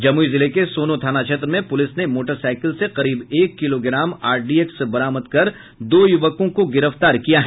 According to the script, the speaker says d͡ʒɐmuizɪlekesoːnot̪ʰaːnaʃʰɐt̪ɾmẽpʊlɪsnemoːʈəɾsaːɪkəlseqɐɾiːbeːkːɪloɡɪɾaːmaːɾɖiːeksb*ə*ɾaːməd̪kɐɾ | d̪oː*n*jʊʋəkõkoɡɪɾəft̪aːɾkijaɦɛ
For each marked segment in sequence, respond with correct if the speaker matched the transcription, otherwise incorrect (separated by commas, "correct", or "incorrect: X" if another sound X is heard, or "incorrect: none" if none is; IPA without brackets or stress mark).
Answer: incorrect: ɐ, incorrect: none